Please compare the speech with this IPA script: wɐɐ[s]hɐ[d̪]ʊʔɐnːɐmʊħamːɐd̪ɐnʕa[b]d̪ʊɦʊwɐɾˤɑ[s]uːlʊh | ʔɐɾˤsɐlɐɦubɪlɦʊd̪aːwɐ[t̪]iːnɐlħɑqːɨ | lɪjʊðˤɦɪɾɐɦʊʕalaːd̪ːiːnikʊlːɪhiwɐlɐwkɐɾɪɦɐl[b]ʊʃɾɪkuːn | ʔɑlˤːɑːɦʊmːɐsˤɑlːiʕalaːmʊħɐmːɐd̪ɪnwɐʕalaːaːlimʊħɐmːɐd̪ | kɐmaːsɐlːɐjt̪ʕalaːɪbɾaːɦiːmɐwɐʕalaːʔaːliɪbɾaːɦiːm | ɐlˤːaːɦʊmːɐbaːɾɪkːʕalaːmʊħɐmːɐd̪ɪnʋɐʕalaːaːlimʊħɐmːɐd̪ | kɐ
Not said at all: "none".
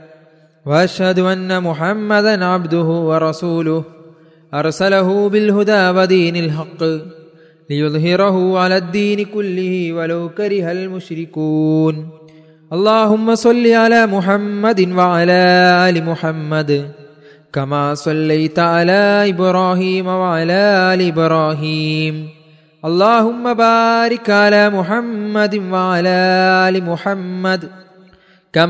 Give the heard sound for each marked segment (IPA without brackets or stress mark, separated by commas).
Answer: ʃ, d̪, b, s, d̪, m